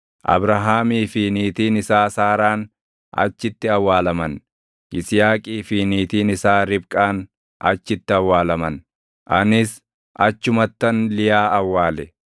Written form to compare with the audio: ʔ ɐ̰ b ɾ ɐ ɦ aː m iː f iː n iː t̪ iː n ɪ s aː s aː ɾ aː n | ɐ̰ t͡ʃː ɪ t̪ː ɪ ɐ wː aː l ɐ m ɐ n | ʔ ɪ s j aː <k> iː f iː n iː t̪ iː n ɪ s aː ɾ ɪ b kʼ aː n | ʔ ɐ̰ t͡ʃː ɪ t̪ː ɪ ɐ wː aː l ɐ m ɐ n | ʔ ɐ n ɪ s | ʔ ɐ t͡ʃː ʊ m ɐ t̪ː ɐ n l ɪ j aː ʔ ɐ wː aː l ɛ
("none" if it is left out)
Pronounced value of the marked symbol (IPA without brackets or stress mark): kʼ